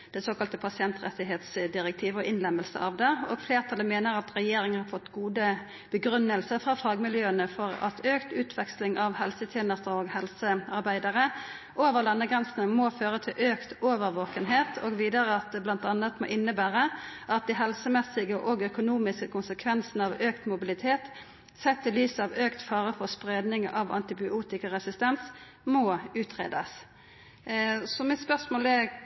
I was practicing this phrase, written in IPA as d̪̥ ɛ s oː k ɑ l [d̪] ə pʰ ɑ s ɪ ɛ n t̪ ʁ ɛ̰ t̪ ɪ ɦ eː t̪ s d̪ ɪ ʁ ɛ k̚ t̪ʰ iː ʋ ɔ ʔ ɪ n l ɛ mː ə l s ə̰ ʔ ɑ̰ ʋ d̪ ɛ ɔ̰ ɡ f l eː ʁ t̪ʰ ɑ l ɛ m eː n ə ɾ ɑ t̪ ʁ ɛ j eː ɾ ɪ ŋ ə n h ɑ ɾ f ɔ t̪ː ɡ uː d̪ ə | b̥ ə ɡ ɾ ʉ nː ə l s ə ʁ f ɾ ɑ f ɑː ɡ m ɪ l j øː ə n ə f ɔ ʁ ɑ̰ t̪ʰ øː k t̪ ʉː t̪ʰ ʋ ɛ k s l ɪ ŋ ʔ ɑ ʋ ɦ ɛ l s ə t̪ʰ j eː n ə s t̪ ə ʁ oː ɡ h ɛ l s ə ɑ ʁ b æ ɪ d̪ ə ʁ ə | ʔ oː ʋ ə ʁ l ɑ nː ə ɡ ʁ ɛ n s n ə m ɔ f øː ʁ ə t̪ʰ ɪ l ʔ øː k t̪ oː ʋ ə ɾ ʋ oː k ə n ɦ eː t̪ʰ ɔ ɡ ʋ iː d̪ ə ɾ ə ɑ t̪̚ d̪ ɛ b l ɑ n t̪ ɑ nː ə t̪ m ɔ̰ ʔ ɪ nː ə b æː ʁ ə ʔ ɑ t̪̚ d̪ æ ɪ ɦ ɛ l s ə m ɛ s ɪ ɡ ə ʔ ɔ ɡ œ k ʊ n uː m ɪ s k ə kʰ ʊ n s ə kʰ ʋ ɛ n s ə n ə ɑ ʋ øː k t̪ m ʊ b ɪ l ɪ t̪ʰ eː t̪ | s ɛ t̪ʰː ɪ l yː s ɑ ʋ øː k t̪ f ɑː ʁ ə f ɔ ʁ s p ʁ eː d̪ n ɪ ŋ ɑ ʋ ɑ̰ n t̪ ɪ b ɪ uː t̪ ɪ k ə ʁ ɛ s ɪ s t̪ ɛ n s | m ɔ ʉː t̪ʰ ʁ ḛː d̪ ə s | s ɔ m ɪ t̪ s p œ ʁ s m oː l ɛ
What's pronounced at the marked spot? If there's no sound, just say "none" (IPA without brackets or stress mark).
t̪